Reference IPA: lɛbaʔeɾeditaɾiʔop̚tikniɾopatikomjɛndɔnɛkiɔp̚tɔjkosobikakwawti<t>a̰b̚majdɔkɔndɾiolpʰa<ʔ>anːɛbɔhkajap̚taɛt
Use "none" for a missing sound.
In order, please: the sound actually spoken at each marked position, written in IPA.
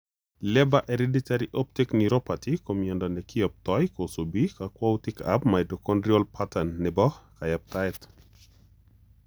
k, t

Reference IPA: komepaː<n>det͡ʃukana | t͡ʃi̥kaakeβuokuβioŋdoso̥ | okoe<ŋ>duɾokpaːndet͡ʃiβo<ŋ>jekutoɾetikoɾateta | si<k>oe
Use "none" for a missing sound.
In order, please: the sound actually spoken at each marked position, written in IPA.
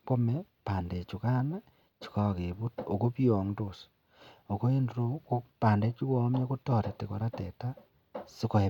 n, n, m, k

